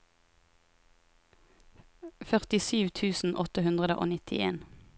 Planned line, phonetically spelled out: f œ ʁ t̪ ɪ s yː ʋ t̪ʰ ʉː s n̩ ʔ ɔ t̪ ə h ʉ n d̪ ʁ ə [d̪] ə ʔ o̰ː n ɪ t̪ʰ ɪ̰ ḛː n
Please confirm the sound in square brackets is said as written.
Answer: yes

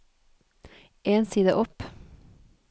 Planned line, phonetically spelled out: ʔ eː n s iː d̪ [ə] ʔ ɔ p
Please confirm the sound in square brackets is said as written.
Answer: yes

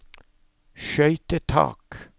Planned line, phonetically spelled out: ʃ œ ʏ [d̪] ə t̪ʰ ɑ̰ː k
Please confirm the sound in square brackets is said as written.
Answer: no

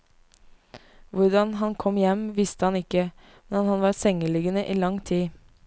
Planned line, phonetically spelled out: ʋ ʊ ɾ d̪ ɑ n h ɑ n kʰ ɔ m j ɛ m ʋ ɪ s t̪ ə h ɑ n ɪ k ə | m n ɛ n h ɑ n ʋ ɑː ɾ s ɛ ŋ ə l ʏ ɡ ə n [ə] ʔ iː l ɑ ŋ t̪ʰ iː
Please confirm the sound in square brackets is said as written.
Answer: yes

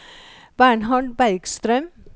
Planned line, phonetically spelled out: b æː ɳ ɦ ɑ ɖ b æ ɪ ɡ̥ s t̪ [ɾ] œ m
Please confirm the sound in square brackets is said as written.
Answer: yes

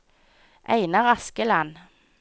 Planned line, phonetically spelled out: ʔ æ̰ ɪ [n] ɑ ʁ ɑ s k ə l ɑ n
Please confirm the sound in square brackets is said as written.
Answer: yes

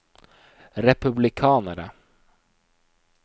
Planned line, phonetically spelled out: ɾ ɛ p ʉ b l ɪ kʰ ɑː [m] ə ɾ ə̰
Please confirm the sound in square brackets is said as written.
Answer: no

